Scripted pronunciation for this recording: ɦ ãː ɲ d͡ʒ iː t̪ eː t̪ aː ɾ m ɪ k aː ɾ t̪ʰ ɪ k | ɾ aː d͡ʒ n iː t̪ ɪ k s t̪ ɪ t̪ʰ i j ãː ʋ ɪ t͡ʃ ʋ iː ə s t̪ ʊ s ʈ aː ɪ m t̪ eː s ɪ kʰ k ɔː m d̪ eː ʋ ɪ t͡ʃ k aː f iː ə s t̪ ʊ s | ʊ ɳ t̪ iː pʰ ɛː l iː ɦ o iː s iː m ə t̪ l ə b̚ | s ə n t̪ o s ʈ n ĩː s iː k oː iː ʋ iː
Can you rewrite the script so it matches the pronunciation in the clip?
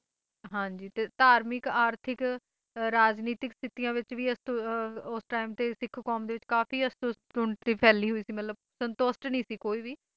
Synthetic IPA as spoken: ɦ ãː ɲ d͡ʒ iː t̪ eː t̪ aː ɾ m ɪ k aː ɾ t̪ʰ ɪ k | ɾ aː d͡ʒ n iː t̪ ɪ k s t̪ ɪ t̪ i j ãː ʋ ɪ t͡ʃ ʋ iː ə s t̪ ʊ s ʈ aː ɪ m t̪ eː s ɪ kʰ k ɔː m d̪ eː ʋ ɪ t͡ʃ k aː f iː ə s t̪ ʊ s | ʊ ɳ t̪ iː pʰ ɛː l iː ɦ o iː s iː m ə t̪ l ə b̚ | s ə n t̪ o s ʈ n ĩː s iː k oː iː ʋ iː